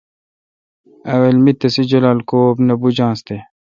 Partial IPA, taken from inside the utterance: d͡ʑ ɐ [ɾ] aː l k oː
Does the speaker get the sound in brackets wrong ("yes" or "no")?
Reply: yes